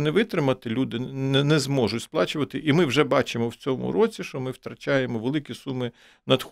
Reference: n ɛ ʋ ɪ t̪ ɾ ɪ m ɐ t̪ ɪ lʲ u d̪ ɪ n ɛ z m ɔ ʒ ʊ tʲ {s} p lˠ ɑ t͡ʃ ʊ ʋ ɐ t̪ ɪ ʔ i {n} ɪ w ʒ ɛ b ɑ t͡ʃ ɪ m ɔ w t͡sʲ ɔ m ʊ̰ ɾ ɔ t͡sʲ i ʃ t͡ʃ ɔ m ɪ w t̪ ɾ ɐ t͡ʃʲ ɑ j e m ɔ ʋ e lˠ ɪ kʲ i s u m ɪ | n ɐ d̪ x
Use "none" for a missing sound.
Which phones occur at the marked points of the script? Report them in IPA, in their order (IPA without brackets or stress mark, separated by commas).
s, m